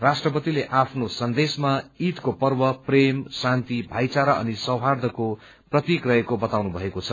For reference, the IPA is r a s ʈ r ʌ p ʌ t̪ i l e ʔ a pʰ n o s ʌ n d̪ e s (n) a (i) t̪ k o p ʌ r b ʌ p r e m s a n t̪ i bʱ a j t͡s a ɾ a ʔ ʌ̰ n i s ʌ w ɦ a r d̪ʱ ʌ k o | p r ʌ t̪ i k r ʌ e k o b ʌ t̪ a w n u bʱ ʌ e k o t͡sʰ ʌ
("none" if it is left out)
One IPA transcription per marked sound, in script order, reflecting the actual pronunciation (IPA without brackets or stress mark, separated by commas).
m, i